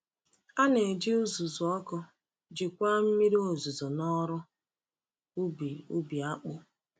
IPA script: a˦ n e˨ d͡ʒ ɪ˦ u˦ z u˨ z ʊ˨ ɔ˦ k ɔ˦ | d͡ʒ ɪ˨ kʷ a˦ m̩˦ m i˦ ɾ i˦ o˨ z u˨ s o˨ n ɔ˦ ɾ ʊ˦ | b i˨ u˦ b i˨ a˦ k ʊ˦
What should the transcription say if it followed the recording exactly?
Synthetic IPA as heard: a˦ n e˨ d͡ʒ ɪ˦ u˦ z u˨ z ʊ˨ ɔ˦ k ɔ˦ | d͡ʒ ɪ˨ kʷ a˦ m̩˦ m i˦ ɾ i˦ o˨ z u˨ z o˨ n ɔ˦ ɾ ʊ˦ | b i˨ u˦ b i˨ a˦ k͡p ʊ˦